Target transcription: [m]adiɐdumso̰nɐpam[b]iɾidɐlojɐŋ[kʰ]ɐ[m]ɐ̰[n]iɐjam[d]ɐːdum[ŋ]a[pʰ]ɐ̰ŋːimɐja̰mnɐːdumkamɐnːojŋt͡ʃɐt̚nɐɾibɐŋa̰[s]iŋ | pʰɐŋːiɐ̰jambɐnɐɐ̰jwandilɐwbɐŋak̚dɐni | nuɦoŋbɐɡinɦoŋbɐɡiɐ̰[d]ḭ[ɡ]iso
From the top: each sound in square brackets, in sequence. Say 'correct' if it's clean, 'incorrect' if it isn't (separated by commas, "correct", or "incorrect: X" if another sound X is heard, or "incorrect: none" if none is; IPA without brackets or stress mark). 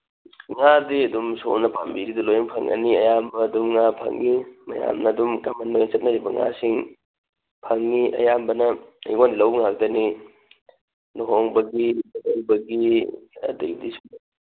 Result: incorrect: ŋ, correct, incorrect: pʰ, incorrect: ŋ, correct, incorrect: b, correct, correct, correct, correct, incorrect: d